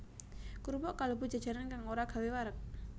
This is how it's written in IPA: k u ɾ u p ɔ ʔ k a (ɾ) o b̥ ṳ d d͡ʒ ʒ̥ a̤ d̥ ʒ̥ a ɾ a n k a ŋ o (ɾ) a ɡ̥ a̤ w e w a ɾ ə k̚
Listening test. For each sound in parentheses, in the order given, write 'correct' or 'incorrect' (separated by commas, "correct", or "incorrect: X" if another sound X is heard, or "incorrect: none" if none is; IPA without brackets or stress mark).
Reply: incorrect: l, correct